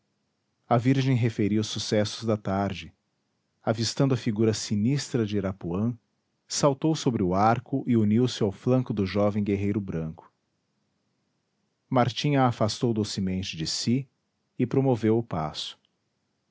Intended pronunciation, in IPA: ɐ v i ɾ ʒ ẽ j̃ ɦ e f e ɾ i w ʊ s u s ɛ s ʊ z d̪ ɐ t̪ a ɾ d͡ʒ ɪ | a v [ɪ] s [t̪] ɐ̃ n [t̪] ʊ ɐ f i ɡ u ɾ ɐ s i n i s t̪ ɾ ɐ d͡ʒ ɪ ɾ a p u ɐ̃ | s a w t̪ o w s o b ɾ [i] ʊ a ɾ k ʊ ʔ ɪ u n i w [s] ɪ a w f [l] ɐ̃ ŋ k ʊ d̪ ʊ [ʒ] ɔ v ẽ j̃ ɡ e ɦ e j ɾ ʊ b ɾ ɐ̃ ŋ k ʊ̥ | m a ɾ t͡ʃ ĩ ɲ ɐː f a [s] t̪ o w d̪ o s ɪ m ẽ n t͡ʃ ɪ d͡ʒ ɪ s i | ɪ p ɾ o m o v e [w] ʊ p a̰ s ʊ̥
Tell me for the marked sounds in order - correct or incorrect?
incorrect, correct, incorrect, incorrect, correct, correct, correct, correct, correct

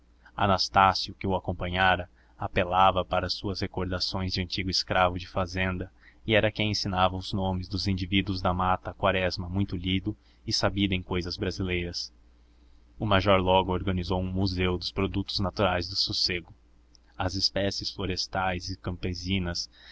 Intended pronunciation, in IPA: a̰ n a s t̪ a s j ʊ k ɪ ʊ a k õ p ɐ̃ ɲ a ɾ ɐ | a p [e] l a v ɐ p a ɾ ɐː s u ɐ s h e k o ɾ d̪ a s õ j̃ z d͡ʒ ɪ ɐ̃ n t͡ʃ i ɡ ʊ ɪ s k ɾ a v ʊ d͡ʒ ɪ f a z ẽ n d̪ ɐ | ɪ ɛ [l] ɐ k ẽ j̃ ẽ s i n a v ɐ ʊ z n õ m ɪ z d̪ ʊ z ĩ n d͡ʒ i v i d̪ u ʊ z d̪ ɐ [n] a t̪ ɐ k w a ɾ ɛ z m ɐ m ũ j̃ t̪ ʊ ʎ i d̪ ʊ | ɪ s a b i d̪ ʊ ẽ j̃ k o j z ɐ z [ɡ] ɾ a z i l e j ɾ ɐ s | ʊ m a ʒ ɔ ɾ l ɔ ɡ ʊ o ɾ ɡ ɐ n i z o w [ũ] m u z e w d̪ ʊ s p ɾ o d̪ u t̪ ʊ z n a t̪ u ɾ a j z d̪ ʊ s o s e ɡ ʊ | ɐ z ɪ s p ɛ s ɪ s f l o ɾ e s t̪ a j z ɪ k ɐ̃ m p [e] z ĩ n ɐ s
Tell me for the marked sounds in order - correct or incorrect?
correct, incorrect, incorrect, incorrect, correct, correct

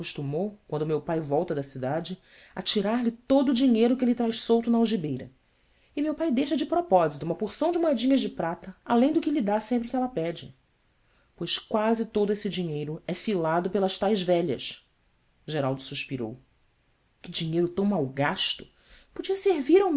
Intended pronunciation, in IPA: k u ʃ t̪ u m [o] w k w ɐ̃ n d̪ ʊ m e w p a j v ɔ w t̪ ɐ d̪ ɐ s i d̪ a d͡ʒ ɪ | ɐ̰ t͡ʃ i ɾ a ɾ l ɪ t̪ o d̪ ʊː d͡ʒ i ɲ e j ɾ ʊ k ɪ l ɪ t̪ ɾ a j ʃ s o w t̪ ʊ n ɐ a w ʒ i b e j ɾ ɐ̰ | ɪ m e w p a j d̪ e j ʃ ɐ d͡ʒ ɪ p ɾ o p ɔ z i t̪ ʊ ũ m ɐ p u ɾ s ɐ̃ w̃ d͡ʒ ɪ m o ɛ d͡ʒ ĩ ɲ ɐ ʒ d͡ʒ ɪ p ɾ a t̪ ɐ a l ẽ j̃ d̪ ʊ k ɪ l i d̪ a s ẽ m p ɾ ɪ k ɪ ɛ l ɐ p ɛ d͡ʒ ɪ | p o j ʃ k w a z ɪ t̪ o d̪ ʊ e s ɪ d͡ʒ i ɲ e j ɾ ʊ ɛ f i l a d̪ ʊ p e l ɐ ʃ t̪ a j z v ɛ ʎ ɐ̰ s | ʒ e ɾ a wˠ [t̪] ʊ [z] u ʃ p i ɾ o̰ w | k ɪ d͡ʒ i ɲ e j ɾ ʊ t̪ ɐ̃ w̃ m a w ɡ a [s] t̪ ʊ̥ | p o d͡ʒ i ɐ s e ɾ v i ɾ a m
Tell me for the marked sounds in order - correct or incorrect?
correct, incorrect, incorrect, incorrect

